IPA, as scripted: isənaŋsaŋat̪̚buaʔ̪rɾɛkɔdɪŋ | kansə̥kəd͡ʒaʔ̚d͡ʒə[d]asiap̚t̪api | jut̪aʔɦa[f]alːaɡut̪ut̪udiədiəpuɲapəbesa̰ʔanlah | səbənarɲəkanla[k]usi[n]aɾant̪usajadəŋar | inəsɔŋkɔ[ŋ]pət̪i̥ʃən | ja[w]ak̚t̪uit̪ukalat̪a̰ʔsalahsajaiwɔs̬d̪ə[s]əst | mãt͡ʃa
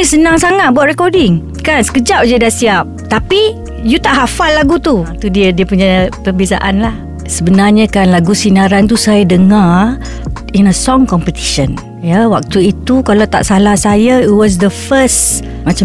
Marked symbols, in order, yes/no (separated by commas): yes, yes, no, yes, no, yes, no